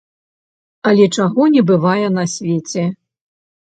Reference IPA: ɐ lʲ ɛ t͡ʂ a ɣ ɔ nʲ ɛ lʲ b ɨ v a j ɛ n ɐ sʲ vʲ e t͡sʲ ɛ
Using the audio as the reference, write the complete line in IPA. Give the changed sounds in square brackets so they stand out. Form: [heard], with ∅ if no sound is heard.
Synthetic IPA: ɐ lʲ ɛ t͡ʂ a ɣ ɔ nʲ ɛ [∅] b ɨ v a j ɛ n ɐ sʲ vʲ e t͡sʲ ɛ